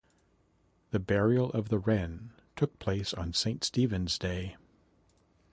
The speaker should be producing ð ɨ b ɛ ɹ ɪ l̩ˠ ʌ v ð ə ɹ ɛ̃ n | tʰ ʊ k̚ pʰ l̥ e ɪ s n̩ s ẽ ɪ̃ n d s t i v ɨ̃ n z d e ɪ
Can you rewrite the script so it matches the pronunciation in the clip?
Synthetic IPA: ð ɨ b ɛ ɹ i l̩ˠ ʌ v ð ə ɹ ɛ̃ n | tʰ ʊ k̚ pʰ l̥ e ɪ s n̩ s ẽ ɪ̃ n t s t i v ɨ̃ n z d e ɪ